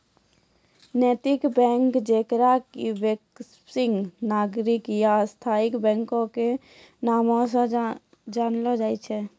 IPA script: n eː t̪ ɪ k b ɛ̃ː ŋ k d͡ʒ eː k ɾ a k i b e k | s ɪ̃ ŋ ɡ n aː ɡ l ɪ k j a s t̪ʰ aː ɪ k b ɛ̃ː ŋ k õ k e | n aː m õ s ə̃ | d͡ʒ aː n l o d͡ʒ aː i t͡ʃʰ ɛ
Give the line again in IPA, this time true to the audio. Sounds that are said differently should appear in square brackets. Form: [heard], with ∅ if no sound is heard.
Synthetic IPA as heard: n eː t̪ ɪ k b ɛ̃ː ŋ k d͡ʒ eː k ɾ a k i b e k | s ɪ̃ ŋ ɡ n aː ɡ [ɾ] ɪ k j a s t̪ʰ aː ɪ k b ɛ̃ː ŋ k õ k e | n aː m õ s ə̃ | d͡ʒ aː n l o d͡ʒ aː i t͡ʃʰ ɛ